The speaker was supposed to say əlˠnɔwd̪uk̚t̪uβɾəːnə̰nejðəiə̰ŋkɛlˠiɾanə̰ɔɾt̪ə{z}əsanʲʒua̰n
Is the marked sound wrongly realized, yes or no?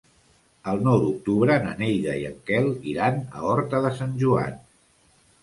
yes